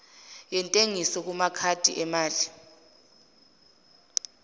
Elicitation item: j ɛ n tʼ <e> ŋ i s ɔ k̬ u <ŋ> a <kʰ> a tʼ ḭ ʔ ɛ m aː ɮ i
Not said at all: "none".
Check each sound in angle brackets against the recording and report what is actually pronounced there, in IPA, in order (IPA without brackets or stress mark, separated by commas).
e, m, kʰ